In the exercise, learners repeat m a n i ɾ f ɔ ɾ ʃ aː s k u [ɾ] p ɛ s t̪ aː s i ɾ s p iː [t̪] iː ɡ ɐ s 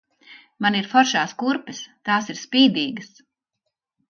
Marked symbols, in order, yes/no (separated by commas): yes, no